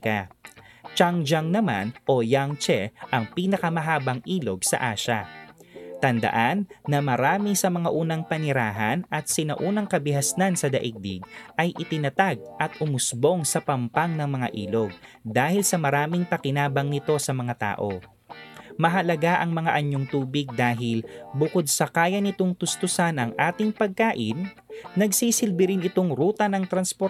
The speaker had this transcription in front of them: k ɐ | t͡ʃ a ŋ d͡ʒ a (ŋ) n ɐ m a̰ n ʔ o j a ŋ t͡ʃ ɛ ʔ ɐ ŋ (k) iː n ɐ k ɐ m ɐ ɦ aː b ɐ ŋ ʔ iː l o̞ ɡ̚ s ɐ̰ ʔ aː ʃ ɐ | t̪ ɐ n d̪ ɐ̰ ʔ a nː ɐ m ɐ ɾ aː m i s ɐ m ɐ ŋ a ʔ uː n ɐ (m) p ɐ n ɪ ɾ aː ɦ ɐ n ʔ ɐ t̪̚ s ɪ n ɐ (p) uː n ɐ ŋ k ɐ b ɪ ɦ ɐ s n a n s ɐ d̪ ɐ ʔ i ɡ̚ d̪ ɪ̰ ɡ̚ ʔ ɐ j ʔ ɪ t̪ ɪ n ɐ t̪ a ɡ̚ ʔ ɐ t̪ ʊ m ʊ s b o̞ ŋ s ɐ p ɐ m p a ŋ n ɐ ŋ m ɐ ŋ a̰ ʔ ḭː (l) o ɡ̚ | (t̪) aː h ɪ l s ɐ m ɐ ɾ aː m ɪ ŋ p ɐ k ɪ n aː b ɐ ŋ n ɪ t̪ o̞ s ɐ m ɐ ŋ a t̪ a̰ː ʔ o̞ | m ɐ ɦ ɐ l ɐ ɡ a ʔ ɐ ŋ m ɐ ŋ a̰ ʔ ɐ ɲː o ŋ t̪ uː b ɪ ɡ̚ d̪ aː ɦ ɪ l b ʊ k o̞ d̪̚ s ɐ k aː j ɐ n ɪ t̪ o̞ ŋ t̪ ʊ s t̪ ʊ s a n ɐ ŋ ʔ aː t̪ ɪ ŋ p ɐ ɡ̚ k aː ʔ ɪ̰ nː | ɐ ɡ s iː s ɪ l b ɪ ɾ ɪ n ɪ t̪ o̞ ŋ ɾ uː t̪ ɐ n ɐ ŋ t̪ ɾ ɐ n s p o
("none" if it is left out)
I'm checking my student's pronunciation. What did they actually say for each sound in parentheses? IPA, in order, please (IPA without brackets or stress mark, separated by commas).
ŋ, p, ŋ, ʔ, l, d̪